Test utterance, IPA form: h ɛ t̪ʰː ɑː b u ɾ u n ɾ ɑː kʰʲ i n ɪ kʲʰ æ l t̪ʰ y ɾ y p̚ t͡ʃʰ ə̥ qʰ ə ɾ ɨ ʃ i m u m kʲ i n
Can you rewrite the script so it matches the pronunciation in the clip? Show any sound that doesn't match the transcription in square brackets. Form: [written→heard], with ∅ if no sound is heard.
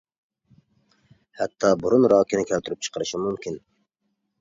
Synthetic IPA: h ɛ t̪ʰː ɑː b u ɾ u n ɾ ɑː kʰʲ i n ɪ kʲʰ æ l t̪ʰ y ɾ y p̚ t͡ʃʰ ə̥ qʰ ə ɾ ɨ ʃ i m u m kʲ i n